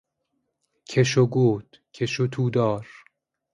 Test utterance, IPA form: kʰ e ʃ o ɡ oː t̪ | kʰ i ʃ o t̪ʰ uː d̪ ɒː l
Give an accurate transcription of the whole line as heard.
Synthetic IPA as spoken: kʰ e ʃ o ɡ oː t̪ | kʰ e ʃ o t̪ʰ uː d̪ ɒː ɾ